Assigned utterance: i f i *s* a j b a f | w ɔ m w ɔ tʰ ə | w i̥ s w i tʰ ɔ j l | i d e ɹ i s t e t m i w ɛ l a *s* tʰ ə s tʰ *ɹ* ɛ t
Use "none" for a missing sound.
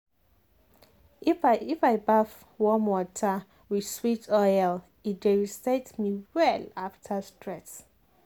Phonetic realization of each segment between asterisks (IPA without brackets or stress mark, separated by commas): f, f, ɹ